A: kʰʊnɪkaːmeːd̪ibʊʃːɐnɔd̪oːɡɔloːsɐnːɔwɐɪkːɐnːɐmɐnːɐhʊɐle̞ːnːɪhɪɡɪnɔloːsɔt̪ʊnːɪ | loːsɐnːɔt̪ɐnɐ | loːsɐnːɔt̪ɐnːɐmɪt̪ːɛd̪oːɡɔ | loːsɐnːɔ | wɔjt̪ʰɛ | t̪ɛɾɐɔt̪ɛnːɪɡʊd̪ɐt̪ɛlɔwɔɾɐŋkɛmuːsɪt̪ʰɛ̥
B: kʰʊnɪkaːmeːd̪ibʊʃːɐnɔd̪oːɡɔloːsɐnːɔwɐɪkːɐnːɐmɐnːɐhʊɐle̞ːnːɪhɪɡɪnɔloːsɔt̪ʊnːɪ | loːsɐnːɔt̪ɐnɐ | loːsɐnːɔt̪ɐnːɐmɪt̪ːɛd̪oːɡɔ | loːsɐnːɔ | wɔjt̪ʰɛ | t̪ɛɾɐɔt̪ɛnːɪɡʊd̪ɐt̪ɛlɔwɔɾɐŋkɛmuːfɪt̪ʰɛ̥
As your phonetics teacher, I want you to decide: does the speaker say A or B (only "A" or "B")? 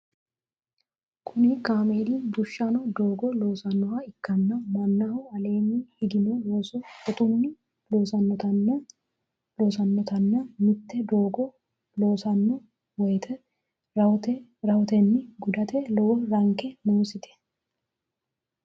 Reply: A